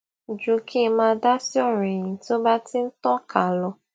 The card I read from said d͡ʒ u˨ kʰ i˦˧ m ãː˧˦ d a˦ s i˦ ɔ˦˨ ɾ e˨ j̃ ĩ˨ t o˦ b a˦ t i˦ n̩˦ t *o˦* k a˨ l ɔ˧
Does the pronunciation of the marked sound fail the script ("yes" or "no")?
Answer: yes